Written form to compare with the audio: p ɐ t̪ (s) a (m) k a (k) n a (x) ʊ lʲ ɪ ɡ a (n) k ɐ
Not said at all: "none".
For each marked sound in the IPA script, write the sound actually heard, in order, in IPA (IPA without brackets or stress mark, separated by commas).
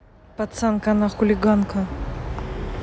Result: s, n, none, x, n